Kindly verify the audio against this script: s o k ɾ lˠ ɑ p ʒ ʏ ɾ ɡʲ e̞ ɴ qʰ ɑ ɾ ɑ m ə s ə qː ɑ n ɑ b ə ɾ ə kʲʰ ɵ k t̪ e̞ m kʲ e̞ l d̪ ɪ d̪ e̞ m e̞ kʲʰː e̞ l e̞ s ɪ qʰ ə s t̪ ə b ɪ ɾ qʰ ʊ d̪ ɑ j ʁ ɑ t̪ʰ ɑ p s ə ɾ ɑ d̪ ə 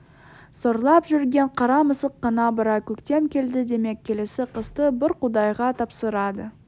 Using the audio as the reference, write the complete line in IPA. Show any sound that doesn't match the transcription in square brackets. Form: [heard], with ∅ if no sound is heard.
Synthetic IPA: s o [∅] ɾ lˠ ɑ p ʒ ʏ ɾ ɡʲ e̞ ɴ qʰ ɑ ɾ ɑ m ə s ə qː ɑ n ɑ b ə ɾ [ɑ] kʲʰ ɵ k t̪ e̞ m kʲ e̞ l d̪ ɪ d̪ e̞ m e̞ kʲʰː e̞ l e̞ s ɪ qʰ ə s t̪ ə b ɪ ɾ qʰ ʊ d̪ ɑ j ʁ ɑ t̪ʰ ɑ p s ə ɾ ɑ d̪ ə

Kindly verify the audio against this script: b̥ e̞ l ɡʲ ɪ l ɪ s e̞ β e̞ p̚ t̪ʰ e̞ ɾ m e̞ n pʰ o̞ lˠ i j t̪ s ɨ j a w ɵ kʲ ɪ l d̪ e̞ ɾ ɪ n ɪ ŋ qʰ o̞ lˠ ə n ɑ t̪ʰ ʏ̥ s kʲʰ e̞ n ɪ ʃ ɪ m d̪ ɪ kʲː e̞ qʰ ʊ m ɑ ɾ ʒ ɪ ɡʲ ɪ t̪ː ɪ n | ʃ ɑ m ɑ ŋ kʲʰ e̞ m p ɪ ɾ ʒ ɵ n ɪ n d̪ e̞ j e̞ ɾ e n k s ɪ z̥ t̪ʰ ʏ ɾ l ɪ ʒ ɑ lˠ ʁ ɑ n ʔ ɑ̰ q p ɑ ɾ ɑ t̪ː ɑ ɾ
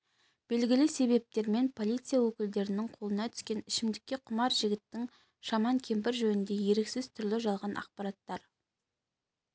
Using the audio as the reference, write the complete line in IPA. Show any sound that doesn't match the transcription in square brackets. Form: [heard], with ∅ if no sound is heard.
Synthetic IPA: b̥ e̞ l ɡʲ ɪ l ɪ s e̞ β e̞ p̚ [t̪] e̞ ɾ m e̞ n pʰ o̞ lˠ i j t̪ s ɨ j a w ɵ kʲ ɪ l d̪ e̞ ɾ ɪ n ɪ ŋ qʰ o̞ lˠ ə n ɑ t̪ʰ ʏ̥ s [kʲ] e̞ n ɪ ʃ ɪ m d̪ ɪ kʲː e̞ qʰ ʊ m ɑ ɾ ʒ ɪ ɡʲ ɪ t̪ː ɪ [ŋ] | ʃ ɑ m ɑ ŋ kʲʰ e̞ m p ɪ ɾ ʒ ɵ n ɪ n d̪ e̞ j e̞ ɾ e [∅] k s ɪ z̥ t̪ʰ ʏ ɾ l ɪ ʒ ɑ lˠ ʁ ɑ n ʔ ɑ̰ q p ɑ ɾ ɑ t̪ː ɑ ɾ

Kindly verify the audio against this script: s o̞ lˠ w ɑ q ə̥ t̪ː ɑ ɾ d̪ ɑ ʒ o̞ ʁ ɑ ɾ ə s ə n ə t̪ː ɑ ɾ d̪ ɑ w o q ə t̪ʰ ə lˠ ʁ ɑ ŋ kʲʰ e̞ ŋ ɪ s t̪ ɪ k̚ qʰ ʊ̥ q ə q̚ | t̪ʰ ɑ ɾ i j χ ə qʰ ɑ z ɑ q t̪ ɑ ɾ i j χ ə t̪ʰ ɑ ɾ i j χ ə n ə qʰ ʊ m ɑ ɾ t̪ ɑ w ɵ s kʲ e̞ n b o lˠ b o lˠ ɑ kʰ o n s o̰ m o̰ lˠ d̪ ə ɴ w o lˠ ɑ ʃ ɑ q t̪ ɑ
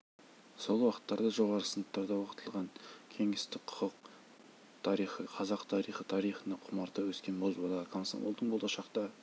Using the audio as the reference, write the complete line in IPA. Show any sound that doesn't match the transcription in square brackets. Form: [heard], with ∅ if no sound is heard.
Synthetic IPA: s o̞ lˠ w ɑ q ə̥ t̪ː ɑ ɾ d̪ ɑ ʒ o̞ ʁ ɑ ɾ ə s ə n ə t̪ː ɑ ɾ d̪ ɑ w o q ə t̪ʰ ə lˠ ʁ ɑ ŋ kʲʰ e̞ ŋ ɪ s t̪ ɪ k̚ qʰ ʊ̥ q ə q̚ | t̪ʰ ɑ ɾ i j χ ə qʰ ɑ z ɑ q [t̪ʰ] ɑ ɾ i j χ ə t̪ʰ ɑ ɾ i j χ ə n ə qʰ ʊ m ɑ ɾ t̪ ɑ w ɵ s kʲ e̞ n b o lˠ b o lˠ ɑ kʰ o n s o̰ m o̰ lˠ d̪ ə ɴ [b] o lˠ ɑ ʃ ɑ q t̪ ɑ

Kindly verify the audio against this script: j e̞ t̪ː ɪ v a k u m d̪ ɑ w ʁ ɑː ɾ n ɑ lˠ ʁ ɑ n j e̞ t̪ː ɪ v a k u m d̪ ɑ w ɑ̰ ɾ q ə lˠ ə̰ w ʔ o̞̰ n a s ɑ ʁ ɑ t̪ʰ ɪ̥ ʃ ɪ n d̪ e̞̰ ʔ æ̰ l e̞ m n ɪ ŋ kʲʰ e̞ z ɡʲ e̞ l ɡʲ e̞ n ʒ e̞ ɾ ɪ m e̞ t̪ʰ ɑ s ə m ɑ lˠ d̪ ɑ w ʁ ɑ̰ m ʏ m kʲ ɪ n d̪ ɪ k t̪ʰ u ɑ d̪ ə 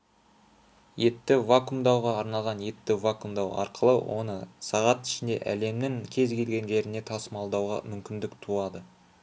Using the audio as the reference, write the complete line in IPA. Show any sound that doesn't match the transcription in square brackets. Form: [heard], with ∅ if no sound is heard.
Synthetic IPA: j e̞ t̪ː ɪ v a k u m d̪ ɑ w ʁ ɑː ɾ n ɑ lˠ ʁ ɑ n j e̞ t̪ː ɪ v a k u m d̪ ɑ w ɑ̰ ɾ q ə lˠ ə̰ w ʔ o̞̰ n [ə] s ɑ ʁ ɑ [t̪] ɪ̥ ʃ ɪ n d̪ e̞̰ ʔ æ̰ l e̞ m n ɪ ŋ kʲʰ e̞ z ɡʲ e̞ l ɡʲ e̞ n ʒ e̞ ɾ ɪ [n] e̞ t̪ʰ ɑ s ə m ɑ lˠ d̪ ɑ w ʁ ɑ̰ m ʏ m kʲ ɪ n d̪ ɪ k t̪ʰ u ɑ d̪ ə

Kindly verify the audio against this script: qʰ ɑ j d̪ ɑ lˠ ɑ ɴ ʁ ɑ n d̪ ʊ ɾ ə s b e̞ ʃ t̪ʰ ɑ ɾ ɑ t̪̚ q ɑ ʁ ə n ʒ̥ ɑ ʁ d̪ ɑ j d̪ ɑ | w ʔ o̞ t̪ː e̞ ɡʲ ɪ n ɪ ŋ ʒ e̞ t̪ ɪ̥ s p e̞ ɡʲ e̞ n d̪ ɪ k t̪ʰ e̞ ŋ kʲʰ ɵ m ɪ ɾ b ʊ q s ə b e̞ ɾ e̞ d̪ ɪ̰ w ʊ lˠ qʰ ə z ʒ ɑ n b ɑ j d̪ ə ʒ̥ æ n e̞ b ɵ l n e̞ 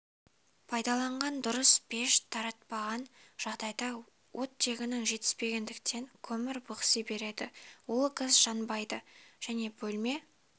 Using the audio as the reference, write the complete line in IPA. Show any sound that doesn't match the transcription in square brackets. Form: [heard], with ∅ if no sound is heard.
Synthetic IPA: [pʰ] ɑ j d̪ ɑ lˠ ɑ ɴ ʁ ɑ n d̪ ʊ ɾ ə s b e̞ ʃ t̪ʰ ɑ ɾ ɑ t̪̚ [p] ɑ ʁ [ɑ] n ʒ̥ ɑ ʁ d̪ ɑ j d̪ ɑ | w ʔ o̞ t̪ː e̞ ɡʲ ɪ n ɪ ŋ ʒ e̞ t̪ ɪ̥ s p e̞ ɡʲ e̞ n d̪ ɪ k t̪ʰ e̞ ŋ kʲʰ ɵ m ɪ ɾ b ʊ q s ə b e̞ ɾ e̞ d̪ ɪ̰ w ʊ lˠ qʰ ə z ʒ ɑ n b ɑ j d̪ ə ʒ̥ æ n e̞ b ɵ l [m] e̞

